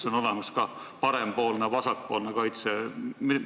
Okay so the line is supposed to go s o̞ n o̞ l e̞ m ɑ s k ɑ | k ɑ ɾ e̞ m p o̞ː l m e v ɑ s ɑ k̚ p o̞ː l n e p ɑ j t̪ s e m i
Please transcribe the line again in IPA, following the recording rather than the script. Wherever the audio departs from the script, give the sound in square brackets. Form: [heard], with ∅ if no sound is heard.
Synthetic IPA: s o̞ n o̞ l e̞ m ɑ s k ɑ | [p] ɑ ɾ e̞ m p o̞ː l [n] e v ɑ s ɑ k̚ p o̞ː l n e [k] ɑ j t̪ s e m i